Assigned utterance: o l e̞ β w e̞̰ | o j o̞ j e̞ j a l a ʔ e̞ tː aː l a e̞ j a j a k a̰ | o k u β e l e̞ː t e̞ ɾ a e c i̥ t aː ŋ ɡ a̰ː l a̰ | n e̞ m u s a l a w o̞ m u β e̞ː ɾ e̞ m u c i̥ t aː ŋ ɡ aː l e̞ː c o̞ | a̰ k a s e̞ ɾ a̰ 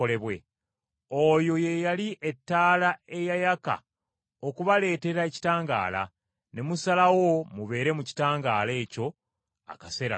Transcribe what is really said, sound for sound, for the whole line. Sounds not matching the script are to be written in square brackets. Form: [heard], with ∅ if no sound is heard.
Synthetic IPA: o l e̞ β w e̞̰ | o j o̞ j e̞ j a l [i] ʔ e̞ tː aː l a e̞ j a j a k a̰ | o k u β [a] l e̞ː t e̞ ɾ a e c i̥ t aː ŋ ɡ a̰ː l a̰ | n e̞ m u s a l a w o̞ m u β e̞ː ɾ e̞ m u c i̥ t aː ŋ ɡ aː l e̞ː c o̞ | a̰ k a s e̞ ɾ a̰